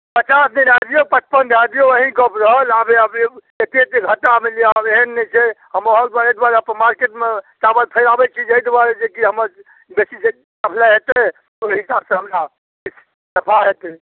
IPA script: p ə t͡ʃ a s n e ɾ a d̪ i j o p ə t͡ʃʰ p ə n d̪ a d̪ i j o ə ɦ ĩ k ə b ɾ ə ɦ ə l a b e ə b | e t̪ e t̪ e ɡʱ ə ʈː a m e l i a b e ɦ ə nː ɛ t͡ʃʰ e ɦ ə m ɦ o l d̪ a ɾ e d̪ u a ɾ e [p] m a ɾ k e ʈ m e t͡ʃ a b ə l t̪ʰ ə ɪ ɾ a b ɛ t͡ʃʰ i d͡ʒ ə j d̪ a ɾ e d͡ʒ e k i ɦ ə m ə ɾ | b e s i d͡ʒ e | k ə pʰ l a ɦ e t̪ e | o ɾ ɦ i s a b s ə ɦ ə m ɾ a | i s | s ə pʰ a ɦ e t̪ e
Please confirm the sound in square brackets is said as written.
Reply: yes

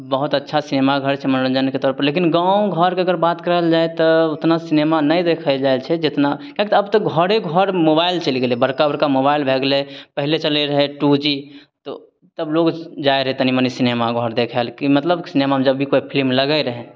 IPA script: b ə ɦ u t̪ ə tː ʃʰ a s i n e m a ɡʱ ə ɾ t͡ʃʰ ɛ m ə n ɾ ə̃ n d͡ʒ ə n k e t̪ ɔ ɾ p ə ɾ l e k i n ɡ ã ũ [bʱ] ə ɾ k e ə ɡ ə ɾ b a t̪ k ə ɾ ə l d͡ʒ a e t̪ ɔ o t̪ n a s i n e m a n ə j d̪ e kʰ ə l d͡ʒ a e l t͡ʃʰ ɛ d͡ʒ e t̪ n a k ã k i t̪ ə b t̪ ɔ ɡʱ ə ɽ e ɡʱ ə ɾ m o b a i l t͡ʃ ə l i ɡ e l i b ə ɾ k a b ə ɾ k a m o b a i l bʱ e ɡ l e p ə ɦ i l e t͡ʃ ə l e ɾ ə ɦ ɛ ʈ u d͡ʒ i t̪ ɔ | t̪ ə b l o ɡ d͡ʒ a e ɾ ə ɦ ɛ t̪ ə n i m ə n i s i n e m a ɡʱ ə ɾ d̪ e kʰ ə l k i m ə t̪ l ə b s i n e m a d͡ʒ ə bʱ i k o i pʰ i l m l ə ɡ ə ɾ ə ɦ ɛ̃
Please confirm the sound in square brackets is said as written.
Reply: no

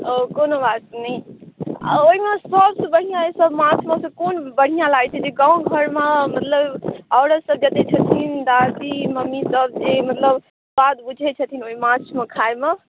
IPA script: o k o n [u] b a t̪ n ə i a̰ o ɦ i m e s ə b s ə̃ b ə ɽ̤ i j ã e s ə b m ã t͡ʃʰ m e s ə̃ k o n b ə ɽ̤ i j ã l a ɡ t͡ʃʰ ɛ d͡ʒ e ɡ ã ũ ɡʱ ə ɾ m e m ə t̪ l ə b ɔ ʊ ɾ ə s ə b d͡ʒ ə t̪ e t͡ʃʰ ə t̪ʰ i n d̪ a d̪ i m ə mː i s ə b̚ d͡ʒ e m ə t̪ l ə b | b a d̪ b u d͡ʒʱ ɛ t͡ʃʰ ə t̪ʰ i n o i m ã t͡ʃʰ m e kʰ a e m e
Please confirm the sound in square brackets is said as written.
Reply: no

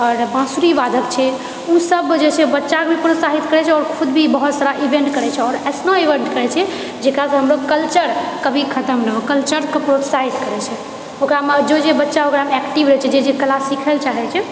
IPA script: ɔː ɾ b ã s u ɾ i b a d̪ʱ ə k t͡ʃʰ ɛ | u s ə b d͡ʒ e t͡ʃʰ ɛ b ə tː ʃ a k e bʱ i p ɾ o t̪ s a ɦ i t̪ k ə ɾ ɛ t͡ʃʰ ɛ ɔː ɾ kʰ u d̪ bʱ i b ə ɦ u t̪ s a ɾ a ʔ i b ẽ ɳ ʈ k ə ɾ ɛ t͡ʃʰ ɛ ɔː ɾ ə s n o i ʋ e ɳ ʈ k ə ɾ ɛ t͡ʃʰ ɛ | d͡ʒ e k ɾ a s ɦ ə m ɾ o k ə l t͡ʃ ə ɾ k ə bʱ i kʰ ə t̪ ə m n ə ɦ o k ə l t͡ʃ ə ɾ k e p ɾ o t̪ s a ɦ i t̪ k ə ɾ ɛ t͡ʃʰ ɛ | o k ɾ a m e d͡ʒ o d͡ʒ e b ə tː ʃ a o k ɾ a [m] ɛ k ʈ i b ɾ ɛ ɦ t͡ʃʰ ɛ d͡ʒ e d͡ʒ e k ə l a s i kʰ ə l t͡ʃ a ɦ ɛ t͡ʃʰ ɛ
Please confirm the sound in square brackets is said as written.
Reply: yes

